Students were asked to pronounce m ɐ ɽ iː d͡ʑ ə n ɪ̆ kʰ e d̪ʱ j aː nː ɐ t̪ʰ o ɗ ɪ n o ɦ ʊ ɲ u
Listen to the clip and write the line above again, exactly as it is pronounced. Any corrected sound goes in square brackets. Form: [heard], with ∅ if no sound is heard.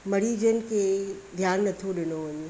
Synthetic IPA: m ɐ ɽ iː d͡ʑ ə n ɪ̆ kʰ e d̪ʱ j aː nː ɐ t̪ʰ o ɗ ɪ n o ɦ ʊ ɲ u